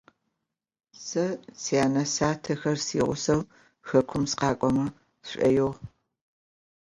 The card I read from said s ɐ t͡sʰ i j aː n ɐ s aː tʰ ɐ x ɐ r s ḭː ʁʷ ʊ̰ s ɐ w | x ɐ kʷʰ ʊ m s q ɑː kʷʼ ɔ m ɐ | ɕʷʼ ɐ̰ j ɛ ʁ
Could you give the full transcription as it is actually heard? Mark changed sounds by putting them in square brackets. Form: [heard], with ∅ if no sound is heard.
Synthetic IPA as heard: s ɐ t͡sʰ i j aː n ɐ s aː tʰ ɐ x ɐ r s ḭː ʁʷ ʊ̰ s ɐ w | x ɐ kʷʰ ʊ m s q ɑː kʷʼ ɔ m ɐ | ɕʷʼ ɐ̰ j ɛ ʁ